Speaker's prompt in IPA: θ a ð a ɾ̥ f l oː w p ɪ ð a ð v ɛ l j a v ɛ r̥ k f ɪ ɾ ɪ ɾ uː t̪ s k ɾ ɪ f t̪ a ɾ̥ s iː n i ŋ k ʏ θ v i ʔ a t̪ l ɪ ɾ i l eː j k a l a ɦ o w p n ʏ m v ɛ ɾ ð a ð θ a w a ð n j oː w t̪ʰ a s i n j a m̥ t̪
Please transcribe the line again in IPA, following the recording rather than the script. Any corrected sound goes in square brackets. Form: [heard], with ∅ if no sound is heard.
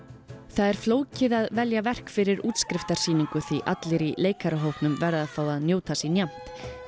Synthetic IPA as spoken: θ a ð [ɛ] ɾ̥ f l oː w [c] ɪ ð a ð v ɛ l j a v ɛ r̥ k f ɪ ɾ ɪ ɾ uː t̪ s k ɾ ɪ f t̪ a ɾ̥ s iː n i ŋ k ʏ θ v i ʔ a t̪ l ɪ ɾ i l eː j k a [ɾ] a ɦ o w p n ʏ m v ɛ ɾ ð a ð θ a w a ð n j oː w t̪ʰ a s i n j a m̥ t̪